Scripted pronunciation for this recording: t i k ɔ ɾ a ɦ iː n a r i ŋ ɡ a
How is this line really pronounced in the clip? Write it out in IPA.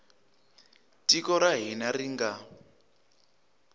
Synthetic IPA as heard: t i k ɔ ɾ a ɦ i n a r i ŋ ɡ a